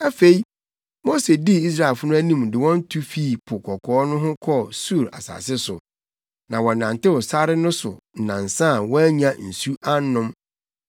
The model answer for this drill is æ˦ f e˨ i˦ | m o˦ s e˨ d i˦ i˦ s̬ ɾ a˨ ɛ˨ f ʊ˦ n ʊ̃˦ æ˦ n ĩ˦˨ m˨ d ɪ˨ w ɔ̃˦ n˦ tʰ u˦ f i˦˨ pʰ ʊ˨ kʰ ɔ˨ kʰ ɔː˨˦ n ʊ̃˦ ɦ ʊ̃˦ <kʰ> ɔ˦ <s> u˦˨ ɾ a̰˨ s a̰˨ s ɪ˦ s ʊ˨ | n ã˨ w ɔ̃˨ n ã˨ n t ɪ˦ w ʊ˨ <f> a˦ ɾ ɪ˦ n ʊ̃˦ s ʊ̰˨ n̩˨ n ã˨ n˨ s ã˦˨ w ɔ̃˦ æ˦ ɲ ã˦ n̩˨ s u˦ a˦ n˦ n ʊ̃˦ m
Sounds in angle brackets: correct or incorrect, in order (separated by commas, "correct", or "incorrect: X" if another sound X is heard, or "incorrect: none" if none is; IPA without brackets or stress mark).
correct, correct, incorrect: s